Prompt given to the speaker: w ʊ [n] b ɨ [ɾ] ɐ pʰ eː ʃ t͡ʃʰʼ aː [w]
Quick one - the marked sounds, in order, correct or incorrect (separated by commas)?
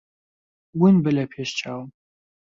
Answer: correct, incorrect, correct